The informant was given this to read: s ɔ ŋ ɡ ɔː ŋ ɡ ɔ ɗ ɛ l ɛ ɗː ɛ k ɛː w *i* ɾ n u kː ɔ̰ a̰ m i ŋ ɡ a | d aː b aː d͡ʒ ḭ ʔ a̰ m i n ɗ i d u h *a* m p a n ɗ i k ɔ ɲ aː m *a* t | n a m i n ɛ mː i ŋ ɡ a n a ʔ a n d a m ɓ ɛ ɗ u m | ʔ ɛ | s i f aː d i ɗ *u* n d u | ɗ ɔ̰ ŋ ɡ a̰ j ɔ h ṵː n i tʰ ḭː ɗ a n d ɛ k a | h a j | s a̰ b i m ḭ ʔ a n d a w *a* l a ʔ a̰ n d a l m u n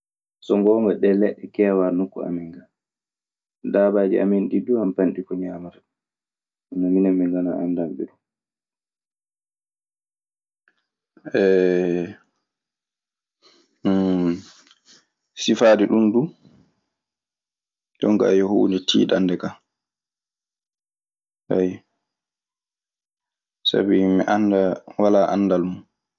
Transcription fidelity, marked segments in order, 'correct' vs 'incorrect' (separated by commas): incorrect, correct, correct, correct, correct